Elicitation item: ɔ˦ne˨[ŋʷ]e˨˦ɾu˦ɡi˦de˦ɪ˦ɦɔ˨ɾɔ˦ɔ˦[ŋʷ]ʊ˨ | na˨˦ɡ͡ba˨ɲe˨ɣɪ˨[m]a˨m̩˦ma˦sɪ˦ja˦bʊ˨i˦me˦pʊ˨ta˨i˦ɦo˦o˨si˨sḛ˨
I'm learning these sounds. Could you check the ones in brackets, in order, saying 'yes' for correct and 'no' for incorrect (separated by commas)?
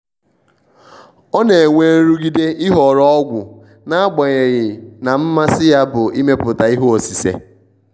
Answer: yes, no, no